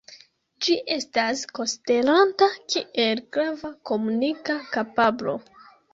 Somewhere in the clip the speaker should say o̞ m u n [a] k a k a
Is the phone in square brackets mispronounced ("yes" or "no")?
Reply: yes